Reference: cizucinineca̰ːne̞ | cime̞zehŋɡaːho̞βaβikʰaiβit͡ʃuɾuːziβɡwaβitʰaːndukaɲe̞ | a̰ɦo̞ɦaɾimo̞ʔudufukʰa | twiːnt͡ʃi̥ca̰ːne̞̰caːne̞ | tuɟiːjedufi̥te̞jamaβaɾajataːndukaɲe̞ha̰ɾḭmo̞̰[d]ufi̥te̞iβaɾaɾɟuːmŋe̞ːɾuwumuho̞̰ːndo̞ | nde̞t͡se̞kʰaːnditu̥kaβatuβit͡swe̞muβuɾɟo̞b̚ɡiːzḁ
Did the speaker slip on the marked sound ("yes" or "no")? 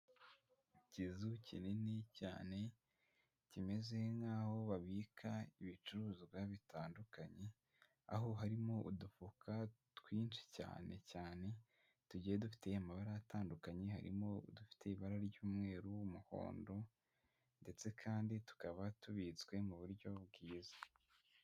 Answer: no